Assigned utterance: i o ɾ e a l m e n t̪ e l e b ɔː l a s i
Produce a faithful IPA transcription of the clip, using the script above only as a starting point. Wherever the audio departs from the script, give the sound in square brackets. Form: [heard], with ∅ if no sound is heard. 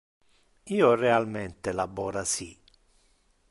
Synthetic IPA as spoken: [iː] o [r] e a l m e n t̪ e l [a] b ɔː [ɾ] a s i